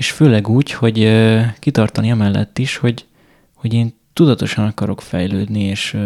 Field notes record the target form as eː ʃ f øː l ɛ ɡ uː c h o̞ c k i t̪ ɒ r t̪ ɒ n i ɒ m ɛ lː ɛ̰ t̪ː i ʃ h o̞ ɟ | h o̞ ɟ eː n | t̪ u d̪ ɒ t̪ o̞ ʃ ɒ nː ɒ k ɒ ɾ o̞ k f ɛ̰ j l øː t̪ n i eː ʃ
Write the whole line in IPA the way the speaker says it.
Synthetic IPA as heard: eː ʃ f øː l ɛ ɡ uː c h o̞ ɟ k i t̪ ɒ r t̪ ɒ n i ɒ m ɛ lː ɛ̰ t̪ː i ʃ h o̞ ɟ | h o̞ ɟ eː n | t̪ u d̪ ɒ t̪ o̞ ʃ ɒ n ɒ k ɒ ɾ o̞ k f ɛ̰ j l øː d̪ n i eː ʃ